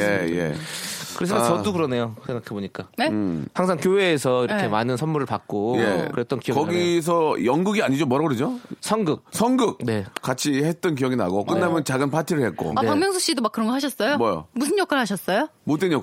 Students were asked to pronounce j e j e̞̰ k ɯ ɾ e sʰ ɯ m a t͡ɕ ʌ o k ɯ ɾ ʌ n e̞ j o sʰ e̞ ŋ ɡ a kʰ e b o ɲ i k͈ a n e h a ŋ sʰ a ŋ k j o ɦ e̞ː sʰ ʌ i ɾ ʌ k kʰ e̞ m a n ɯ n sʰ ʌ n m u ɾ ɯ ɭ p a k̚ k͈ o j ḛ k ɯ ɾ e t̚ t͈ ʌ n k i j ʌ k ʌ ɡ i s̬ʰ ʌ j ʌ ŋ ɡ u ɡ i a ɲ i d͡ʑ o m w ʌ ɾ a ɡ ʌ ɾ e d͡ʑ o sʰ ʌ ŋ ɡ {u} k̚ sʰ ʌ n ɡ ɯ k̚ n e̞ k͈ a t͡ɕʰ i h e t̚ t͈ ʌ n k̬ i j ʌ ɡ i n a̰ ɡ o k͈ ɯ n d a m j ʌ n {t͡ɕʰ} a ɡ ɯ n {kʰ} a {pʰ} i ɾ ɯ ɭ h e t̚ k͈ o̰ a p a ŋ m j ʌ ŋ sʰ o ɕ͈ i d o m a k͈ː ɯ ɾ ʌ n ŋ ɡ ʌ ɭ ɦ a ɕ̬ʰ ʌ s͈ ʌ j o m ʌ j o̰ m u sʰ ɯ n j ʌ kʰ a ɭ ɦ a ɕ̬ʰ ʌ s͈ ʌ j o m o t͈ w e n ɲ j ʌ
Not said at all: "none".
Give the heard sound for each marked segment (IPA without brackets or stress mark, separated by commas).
ɯ, t͡ɕ, pʰ, tʰ